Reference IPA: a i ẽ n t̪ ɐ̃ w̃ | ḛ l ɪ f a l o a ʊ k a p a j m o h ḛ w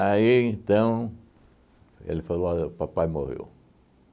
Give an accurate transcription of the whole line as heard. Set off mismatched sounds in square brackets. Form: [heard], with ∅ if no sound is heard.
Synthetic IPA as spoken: a i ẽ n t̪ ɐ̃ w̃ | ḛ l ɪ f a l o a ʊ [p] a p a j m o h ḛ w